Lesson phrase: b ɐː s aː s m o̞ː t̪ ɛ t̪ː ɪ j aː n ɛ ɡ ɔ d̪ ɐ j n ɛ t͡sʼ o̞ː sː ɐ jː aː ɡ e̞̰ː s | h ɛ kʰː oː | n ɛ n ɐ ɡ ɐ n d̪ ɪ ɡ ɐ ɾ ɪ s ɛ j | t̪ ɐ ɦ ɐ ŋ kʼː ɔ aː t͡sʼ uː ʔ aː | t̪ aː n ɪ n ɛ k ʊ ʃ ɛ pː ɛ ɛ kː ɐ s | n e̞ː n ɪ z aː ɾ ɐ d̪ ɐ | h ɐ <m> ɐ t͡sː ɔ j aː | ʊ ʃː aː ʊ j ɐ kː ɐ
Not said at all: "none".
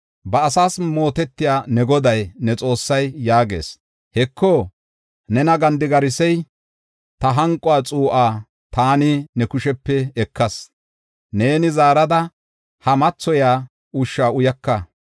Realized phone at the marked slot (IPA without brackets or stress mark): m